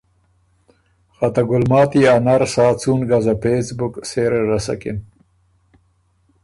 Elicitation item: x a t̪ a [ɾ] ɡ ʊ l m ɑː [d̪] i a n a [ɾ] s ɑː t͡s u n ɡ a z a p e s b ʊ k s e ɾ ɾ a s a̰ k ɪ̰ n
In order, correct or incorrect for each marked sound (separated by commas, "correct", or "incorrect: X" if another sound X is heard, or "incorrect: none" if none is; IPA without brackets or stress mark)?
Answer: incorrect: none, incorrect: t̪, correct